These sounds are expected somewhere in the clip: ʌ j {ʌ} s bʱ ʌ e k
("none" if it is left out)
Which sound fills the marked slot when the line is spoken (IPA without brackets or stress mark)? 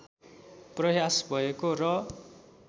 a